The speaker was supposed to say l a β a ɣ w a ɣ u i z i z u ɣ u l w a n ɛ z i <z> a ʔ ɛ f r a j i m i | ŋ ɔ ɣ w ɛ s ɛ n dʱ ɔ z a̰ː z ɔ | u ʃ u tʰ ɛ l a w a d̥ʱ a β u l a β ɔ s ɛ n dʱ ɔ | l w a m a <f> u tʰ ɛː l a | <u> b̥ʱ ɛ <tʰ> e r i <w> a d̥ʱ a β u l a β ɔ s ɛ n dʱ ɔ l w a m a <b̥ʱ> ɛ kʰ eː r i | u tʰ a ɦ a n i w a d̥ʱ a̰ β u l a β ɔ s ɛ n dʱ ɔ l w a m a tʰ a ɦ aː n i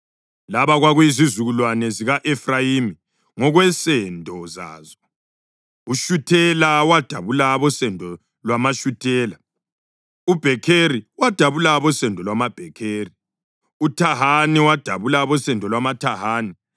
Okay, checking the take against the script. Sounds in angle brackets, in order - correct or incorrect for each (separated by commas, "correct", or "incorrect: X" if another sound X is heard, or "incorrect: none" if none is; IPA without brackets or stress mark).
incorrect: ɣ, incorrect: ʃ, correct, incorrect: kʰ, correct, correct